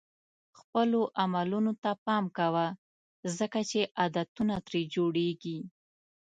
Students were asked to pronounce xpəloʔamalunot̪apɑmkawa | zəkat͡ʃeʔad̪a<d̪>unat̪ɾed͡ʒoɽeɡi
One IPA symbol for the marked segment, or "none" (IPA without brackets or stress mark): t̪